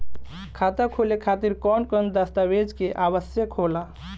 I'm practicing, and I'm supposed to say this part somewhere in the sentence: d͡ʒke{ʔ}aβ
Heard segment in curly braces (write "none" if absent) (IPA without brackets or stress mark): ʔ